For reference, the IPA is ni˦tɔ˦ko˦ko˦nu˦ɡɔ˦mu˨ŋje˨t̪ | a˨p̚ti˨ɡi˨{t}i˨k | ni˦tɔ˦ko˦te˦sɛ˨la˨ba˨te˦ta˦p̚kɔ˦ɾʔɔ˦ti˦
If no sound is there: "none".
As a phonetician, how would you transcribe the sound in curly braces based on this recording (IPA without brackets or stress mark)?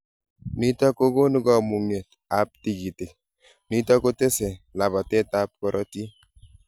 t